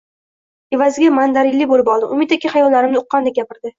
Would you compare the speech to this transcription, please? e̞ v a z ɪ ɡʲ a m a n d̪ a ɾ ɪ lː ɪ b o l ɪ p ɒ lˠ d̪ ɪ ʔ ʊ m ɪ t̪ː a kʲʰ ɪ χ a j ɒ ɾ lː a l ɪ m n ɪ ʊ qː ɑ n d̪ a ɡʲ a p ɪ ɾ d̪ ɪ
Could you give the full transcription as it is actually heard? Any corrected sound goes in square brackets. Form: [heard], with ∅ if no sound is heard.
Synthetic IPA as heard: e̞ v a z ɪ ɡʲ a m a n d̪ a ɾ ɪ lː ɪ b o l ɪ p ɒ lˠ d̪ ɪ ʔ ʊ m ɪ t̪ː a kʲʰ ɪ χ a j ɒ [l] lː a [ɾ] ɪ m n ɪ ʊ qː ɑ n d̪ a ɡʲ a p ɪ ɾ d̪ ɪ